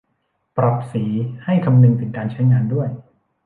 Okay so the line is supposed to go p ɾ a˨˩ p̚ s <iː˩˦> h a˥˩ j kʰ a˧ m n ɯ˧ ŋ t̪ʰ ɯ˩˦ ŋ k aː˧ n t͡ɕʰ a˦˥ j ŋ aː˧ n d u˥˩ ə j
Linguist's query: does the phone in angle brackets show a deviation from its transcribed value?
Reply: no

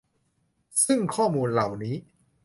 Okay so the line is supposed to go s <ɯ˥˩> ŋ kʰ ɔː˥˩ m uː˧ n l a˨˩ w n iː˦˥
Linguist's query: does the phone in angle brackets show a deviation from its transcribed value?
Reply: no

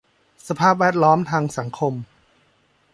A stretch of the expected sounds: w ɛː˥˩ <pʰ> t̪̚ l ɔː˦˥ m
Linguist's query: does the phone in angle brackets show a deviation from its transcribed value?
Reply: yes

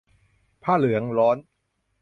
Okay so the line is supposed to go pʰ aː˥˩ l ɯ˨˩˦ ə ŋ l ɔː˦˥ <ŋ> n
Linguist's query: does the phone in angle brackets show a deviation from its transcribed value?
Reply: yes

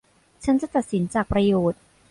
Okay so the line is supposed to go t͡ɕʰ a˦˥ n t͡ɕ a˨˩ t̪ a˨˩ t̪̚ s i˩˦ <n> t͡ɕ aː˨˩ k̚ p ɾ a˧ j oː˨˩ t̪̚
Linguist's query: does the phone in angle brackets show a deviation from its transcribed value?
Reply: no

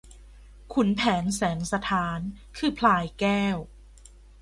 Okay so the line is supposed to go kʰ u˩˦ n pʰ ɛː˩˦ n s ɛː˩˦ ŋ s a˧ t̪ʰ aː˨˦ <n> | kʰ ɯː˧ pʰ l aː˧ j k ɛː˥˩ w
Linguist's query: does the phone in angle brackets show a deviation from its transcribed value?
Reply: no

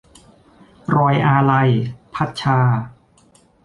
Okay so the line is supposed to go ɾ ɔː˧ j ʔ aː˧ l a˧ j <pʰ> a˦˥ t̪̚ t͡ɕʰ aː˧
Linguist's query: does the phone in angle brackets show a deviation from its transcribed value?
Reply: no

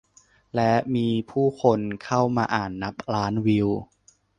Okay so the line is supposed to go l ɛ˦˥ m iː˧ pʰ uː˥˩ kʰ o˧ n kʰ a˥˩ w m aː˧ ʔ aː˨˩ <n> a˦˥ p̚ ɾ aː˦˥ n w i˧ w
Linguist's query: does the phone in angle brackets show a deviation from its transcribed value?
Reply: yes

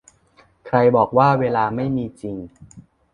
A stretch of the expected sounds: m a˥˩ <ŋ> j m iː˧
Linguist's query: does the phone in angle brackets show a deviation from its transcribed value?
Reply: yes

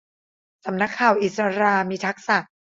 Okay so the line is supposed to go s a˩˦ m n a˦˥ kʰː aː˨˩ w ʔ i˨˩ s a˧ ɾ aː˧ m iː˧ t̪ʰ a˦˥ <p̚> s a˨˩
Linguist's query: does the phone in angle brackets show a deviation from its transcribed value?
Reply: yes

